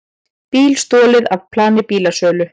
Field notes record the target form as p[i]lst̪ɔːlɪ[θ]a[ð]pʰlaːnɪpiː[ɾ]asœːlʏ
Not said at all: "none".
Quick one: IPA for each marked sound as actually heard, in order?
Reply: iː, ð, v, l

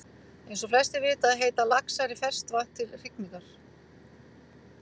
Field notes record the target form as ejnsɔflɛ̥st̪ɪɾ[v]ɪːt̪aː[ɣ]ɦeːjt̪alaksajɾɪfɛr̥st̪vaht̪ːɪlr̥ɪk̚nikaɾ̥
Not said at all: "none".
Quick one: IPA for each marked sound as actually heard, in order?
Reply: v, ð

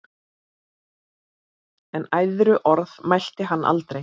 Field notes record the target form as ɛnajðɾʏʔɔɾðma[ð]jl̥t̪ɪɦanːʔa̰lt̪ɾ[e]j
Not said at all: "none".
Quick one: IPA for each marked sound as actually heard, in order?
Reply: none, e

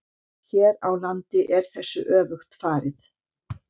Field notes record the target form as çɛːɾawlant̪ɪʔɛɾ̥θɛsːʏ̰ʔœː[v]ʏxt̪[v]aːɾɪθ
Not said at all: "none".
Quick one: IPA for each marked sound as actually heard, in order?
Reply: v, f

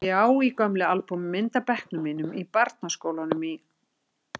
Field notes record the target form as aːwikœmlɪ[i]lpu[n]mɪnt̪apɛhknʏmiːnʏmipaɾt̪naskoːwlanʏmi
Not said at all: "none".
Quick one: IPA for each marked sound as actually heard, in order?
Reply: a, m

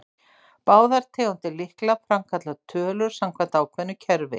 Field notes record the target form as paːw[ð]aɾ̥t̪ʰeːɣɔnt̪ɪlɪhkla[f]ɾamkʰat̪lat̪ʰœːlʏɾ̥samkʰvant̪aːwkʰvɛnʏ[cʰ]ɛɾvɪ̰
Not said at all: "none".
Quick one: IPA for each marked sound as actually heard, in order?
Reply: ð, f, cʰ

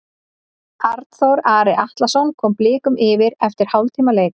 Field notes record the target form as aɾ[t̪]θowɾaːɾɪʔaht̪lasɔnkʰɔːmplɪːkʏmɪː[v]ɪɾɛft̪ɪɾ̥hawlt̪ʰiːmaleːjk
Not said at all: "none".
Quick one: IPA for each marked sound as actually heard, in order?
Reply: t̪, v

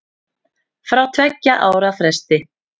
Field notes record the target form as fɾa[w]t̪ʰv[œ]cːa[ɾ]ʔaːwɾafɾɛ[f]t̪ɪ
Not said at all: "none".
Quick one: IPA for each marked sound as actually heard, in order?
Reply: w, ɛ, none, s

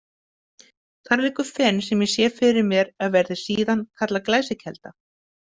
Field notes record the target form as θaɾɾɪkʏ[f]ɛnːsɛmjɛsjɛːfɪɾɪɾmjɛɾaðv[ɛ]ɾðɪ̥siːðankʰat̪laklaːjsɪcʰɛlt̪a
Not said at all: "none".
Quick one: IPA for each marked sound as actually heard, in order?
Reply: f, ɛ

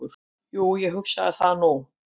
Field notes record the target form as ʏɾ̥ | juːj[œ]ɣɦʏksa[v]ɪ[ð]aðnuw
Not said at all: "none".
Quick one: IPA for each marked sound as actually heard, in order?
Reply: ɛ, ð, θ

